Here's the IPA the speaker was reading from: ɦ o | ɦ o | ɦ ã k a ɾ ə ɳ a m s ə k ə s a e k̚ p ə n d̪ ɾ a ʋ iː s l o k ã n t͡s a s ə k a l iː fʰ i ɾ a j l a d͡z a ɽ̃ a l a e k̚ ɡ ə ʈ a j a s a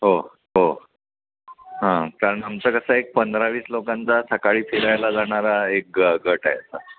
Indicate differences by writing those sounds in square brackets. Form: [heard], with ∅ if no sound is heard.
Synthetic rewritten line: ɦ o | ɦ o | ɦ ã k a ɾ ə ɳ a m [t͡s] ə k ə s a e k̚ p ə n d̪ ɾ a ʋ iː s l o k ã n t͡s a s ə k a [ɭ] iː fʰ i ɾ a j l a d͡z a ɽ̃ a [ɾ] a e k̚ ɡ ə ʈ a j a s a